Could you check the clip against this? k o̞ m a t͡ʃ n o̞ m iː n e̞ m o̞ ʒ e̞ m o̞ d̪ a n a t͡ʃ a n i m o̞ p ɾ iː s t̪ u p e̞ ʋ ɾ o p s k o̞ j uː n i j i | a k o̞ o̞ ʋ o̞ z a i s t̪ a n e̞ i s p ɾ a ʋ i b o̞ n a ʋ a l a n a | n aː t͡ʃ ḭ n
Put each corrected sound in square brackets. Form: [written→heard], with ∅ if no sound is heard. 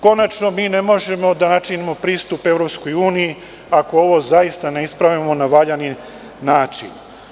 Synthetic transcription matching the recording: k o̞ [m→n] a t͡ʃ n o̞ m iː n e̞ m o̞ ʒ e̞ m o̞ d̪ a n a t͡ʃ [a→i] n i m o̞ p ɾ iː s t̪ u p e̞ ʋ ɾ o p s k o̞ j uː n i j i | a k o̞ o̞ ʋ o̞ z a i s t̪ a n e̞ i s p ɾ a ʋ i [b→m] o̞ n a ʋ a [l→ʎ] a n [a→i] | n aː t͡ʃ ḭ n